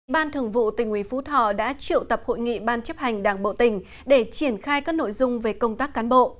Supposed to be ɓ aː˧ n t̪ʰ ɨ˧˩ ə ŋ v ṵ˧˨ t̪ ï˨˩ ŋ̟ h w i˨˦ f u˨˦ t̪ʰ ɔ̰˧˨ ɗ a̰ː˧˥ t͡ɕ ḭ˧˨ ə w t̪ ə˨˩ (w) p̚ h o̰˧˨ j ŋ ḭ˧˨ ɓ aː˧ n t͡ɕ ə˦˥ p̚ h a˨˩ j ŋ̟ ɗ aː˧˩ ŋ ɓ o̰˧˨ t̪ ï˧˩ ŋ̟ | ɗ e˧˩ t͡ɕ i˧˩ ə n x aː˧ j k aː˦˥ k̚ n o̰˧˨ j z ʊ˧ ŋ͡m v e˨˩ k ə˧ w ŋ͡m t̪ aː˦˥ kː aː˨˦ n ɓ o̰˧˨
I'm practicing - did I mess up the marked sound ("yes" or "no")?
yes